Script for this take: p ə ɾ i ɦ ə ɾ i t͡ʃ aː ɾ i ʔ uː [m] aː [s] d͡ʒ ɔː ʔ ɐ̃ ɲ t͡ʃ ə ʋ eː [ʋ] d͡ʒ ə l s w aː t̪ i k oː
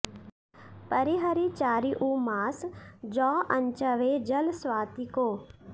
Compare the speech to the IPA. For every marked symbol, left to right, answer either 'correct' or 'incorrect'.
correct, correct, incorrect: none

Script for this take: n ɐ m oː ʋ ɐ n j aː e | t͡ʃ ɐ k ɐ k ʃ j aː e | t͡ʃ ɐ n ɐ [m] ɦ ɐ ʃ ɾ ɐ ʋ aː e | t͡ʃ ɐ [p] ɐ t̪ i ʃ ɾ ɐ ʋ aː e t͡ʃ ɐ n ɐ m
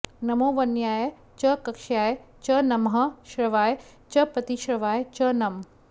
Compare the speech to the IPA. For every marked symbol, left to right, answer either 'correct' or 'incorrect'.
correct, correct

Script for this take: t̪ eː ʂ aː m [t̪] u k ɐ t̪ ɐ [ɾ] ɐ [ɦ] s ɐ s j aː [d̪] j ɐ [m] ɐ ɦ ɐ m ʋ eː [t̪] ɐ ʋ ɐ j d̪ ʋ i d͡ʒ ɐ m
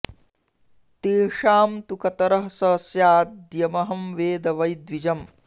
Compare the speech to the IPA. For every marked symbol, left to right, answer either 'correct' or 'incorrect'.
correct, correct, correct, correct, correct, incorrect: d̪

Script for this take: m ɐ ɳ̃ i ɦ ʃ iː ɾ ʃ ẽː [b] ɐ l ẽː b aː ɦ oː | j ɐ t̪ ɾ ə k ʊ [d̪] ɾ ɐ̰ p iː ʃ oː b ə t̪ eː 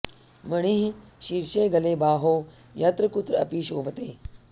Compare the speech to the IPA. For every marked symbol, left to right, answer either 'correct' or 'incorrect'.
incorrect: ɡ, incorrect: t̪

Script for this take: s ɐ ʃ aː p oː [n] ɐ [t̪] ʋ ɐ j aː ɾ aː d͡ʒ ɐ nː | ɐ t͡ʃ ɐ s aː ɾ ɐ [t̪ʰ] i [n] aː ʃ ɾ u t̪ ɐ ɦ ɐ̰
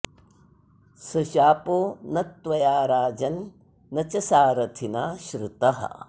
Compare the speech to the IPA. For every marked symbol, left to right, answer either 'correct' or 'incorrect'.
correct, correct, correct, correct

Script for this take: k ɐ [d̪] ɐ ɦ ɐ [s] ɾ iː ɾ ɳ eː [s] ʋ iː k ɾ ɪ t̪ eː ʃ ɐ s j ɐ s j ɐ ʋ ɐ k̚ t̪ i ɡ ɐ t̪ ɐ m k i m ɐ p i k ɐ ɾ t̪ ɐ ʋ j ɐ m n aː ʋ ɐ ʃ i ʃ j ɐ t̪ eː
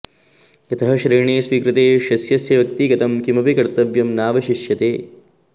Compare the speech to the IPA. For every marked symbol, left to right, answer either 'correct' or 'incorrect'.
incorrect: t̪, incorrect: ʃ, correct

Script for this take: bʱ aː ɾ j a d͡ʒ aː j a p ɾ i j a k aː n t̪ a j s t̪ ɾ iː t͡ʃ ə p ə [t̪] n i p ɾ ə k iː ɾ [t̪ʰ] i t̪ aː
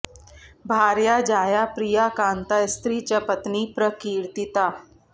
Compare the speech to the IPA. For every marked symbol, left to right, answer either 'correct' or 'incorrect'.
correct, incorrect: t̪

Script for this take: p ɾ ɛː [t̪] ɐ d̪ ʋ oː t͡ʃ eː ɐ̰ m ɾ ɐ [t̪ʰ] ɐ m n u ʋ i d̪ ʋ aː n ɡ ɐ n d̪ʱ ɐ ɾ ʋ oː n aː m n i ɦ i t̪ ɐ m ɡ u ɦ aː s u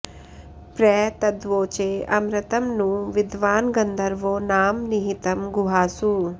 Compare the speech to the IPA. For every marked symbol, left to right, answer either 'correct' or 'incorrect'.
correct, incorrect: t̪

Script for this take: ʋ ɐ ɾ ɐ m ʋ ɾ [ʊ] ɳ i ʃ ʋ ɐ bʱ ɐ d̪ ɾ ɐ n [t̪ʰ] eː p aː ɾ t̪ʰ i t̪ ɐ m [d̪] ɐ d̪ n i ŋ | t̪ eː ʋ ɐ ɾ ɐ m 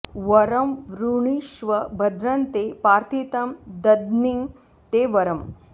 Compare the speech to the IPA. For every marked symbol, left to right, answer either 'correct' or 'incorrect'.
incorrect: u, incorrect: t̪, correct

